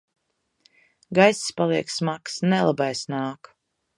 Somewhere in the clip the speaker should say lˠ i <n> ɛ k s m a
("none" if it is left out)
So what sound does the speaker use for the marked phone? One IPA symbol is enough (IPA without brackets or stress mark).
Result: none